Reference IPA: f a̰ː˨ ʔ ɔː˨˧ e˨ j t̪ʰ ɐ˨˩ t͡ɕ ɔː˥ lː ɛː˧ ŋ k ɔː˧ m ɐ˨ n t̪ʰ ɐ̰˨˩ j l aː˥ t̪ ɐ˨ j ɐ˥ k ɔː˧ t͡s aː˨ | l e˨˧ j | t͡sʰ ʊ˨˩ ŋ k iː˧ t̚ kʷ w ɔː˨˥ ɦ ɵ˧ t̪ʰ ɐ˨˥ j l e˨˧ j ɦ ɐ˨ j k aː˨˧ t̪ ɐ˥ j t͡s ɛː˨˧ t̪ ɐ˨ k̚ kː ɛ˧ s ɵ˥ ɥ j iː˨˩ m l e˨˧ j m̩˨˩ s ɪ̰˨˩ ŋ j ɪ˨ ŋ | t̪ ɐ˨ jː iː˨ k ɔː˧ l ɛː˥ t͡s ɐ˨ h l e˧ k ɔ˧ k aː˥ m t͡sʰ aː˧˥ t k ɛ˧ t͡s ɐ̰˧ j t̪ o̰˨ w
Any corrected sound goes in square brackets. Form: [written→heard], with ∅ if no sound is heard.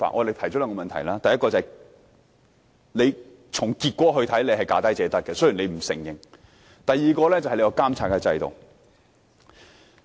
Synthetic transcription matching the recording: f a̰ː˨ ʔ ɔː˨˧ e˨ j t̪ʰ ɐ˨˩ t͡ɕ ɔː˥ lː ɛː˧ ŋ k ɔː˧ m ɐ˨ n t̪ʰ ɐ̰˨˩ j l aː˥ t̪ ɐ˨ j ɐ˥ k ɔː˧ t͡s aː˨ | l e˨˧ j | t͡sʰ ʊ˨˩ ŋ k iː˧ t̚ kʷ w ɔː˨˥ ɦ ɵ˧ t̪ʰ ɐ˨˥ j l e˨˧ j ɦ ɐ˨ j k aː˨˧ t̪ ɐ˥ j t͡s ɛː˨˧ t̪ [ɐ˨→ɐ˥] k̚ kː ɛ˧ s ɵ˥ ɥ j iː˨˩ [m→n] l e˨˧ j m̩˨˩ s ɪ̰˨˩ ŋ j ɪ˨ ŋ | t̪ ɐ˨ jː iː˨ k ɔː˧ l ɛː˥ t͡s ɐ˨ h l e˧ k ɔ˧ k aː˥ m t͡sʰ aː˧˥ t k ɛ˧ t͡s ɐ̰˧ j t̪ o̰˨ w